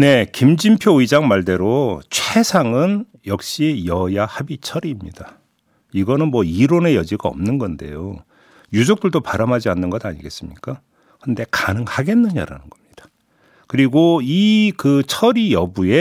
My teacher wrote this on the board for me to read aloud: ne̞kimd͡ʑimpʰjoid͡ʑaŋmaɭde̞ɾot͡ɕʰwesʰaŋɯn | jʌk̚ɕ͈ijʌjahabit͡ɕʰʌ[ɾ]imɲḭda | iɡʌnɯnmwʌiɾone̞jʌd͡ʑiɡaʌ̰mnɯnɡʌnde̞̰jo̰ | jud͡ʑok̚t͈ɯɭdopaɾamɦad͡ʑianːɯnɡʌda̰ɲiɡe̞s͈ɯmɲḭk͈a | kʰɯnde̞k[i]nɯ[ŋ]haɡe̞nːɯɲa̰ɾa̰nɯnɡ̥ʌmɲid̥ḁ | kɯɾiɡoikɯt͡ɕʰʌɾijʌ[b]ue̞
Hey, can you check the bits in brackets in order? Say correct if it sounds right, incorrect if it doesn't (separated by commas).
correct, incorrect, correct, correct